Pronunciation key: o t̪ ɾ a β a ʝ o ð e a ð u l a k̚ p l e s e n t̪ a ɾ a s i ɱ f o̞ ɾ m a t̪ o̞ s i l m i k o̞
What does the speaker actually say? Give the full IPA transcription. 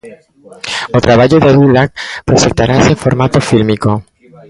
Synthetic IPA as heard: o t̪ ɾ a β a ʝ o ð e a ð u l a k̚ p ɾ e s e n t̪ a ɾ a s e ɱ f o̞ ɾ m a t̪ o̞ f i l m i k o̞